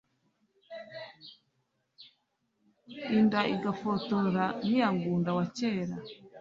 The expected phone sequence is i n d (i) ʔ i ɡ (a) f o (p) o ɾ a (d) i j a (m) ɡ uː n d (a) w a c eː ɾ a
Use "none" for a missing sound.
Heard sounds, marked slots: a, a, t, n, ŋ, a

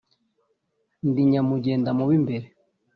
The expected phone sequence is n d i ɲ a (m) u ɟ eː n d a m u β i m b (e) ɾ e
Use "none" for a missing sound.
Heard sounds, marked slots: m, e

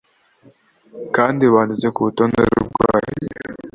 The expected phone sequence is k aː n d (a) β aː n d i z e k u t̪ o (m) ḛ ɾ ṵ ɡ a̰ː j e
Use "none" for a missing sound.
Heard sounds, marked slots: i, n

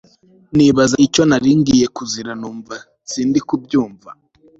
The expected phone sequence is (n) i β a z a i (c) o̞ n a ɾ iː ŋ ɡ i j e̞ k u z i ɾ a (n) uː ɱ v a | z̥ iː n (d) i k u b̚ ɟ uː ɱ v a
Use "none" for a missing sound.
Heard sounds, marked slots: n, c, n, d

